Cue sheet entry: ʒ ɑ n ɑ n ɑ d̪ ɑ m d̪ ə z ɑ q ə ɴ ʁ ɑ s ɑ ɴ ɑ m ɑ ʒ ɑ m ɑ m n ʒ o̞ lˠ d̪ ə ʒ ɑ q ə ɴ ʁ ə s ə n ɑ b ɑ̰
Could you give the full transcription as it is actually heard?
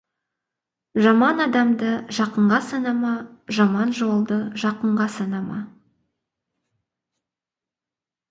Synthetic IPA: ʒ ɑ m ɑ n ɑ d̪ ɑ m d̪ ə ʒ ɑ q ə ɴ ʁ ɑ s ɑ n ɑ m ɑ ʒ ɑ m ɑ n ʒ o̞ lˠ d̪ ə ʒ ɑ q ə ɴ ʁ ɑ s ɑ n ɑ m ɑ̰